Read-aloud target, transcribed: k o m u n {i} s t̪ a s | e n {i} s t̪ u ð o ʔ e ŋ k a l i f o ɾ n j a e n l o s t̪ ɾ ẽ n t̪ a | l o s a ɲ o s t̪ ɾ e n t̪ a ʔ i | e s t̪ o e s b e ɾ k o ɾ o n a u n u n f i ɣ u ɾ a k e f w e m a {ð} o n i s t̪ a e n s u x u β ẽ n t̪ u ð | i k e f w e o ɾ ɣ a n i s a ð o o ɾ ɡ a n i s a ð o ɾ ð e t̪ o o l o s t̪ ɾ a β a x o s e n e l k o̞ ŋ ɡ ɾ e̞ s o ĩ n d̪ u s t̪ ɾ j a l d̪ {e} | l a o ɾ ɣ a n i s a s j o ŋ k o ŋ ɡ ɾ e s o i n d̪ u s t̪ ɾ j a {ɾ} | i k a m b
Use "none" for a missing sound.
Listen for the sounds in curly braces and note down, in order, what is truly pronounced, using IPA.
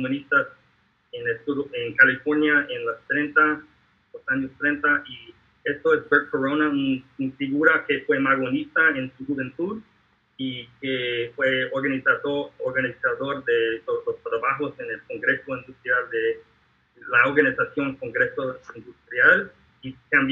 i, e, ɣ, e, l

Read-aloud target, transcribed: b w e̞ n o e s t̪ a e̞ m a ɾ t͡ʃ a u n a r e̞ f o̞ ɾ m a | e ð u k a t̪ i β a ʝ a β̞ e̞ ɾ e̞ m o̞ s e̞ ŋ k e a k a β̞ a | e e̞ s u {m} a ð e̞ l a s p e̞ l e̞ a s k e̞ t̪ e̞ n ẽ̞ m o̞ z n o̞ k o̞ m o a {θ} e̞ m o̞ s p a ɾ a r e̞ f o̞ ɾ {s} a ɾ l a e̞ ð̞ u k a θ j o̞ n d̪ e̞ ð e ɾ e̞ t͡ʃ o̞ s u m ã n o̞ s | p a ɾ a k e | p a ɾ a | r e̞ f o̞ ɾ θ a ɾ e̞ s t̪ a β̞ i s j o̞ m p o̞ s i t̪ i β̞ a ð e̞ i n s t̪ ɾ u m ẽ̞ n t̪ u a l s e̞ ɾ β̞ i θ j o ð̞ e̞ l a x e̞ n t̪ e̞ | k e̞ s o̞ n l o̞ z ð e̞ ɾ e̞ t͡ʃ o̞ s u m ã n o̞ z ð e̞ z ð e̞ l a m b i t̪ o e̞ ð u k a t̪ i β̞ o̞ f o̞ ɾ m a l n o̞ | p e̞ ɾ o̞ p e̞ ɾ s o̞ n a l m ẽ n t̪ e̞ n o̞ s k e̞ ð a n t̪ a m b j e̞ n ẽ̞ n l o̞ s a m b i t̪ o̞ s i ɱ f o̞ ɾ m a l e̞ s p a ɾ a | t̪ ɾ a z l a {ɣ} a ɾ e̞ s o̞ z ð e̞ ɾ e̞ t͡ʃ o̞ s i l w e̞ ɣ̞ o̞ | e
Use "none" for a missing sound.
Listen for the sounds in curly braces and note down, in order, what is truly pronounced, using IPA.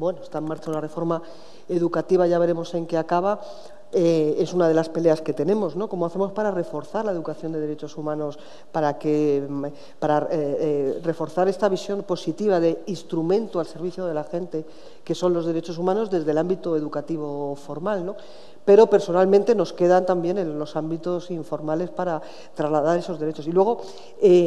n, θ, θ, ð

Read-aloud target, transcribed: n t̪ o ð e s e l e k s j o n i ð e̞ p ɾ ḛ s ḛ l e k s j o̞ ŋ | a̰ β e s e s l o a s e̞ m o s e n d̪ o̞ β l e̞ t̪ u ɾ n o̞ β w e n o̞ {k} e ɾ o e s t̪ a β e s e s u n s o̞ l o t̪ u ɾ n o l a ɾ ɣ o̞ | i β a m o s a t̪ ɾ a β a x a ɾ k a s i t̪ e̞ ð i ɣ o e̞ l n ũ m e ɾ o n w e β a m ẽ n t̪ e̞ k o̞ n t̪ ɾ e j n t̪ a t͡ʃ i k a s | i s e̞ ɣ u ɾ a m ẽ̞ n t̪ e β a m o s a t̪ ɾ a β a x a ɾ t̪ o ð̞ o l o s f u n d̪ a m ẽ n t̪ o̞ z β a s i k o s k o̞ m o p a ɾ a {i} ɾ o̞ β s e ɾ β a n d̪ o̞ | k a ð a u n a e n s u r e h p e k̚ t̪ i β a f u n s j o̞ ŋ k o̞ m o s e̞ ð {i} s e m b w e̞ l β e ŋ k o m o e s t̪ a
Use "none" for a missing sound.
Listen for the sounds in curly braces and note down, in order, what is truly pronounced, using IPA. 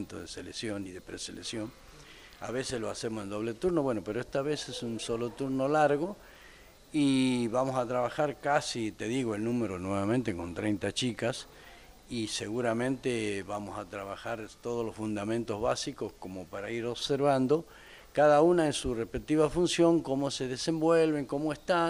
p, i, e

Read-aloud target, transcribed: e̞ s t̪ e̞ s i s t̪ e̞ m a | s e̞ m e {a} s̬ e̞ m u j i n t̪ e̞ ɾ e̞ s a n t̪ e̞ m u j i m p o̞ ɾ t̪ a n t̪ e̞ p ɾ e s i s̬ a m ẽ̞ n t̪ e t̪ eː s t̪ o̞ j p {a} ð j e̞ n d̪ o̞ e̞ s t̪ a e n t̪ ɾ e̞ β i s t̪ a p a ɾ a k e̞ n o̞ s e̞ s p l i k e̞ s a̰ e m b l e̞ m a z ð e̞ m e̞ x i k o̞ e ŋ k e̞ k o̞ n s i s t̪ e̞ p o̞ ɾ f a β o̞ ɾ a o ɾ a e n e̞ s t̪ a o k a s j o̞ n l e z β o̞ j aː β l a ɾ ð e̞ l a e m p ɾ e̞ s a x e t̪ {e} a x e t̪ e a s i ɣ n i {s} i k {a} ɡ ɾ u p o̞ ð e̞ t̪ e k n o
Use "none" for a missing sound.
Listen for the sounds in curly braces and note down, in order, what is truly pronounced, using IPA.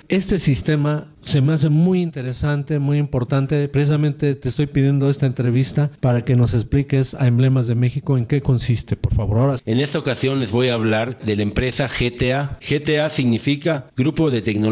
a, i, e, f, a

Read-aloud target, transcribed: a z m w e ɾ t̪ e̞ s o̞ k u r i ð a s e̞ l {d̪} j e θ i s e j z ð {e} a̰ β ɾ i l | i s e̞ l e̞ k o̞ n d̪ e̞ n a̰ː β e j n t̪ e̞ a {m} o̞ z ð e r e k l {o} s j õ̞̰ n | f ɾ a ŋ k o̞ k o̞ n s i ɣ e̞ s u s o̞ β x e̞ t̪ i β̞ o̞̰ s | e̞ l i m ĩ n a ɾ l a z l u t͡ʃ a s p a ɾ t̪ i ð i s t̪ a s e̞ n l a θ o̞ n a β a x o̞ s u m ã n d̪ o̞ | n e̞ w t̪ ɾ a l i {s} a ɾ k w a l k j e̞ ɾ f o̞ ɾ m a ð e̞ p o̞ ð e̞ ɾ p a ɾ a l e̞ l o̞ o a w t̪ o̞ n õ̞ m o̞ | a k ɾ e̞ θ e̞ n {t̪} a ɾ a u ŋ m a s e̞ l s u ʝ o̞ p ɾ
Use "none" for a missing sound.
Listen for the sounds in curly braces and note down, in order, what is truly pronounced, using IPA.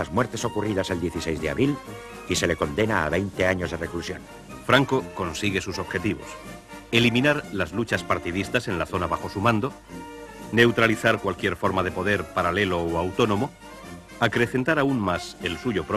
d̪, e, ɲ, u, θ, t̪

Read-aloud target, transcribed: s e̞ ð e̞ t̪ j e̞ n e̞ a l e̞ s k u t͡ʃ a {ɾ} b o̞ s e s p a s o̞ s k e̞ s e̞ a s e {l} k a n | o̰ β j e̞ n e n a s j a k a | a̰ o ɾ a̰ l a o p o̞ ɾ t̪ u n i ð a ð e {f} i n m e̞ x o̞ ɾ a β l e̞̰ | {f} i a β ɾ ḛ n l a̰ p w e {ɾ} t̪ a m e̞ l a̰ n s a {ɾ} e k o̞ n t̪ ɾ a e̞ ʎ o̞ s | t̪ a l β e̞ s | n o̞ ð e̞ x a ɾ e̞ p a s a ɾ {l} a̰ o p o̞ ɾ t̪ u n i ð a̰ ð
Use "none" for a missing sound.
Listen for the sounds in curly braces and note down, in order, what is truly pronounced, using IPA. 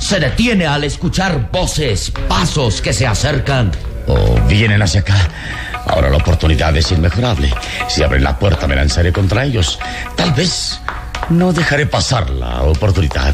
ɾ, ɾ, s, s, ɾ, ɾ, l

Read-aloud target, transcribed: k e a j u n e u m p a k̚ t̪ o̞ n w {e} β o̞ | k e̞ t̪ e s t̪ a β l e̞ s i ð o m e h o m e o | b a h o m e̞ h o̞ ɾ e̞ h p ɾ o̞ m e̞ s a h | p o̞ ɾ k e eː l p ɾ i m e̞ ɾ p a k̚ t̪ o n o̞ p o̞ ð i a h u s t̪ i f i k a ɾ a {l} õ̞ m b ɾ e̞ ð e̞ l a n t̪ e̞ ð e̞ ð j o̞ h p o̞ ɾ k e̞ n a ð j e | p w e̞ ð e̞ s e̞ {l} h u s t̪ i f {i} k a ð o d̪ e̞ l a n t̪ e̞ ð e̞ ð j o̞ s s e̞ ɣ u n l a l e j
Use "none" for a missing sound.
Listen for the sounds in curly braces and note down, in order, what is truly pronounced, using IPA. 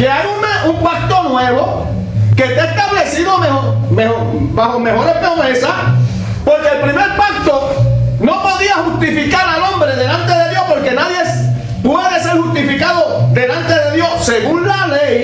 e, l, ɾ, i

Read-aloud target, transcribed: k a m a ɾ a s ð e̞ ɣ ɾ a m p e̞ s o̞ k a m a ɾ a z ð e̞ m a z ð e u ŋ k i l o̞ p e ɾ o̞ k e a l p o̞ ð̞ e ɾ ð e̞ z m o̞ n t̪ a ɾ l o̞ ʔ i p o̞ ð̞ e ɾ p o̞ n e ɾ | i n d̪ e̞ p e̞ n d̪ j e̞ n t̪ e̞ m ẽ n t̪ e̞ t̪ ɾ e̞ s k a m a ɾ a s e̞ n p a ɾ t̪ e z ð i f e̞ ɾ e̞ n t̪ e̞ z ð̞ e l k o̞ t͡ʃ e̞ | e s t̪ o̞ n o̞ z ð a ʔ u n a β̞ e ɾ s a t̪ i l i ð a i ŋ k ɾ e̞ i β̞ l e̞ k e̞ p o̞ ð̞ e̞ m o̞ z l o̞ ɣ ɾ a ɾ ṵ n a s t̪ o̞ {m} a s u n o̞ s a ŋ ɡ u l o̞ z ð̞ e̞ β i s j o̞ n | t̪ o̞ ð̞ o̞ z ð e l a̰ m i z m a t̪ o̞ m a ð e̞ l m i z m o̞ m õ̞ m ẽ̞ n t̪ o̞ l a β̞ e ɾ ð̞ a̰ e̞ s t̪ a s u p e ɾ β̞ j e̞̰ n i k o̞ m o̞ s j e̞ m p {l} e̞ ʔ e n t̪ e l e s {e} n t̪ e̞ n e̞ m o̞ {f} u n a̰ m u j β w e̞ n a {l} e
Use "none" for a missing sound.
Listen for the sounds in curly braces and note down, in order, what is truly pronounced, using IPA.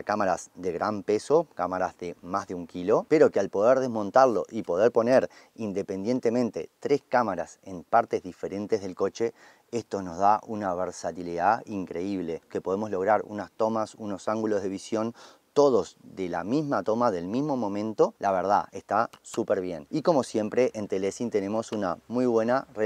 m, ɾ, i, s, r

